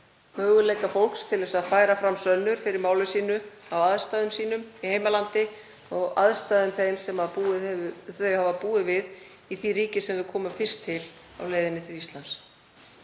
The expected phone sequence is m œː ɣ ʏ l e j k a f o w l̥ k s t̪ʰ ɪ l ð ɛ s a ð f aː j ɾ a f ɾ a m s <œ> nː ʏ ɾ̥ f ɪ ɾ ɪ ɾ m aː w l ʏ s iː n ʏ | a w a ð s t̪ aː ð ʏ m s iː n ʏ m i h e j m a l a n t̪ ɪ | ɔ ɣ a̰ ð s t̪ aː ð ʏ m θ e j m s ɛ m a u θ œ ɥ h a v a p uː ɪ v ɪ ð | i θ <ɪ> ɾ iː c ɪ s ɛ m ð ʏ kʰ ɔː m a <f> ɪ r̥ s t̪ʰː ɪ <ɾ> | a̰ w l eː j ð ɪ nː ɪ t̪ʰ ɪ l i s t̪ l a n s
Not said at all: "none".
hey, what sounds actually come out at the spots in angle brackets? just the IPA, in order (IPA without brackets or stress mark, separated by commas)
œ, i, f, l